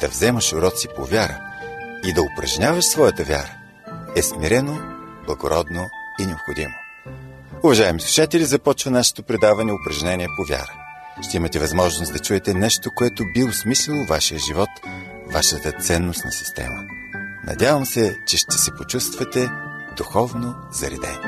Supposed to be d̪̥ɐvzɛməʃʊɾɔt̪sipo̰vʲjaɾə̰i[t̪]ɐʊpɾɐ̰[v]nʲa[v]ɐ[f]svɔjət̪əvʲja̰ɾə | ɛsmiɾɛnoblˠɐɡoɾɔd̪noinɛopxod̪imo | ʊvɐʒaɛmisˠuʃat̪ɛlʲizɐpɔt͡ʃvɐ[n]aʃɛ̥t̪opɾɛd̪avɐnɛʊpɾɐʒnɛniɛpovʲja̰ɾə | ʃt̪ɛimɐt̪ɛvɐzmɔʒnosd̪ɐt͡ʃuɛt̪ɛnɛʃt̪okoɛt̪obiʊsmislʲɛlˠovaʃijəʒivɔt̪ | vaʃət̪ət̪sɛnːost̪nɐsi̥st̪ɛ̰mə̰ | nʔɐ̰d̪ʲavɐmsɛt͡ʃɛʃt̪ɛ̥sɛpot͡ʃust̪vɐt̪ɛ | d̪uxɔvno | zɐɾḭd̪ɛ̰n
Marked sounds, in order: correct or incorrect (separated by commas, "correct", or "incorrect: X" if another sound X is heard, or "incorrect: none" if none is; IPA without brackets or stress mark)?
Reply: incorrect: d̪, incorrect: ʒ, correct, incorrect: ʃ, correct